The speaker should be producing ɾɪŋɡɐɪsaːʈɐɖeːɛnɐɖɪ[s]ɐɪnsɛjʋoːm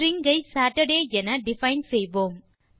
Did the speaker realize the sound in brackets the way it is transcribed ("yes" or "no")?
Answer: no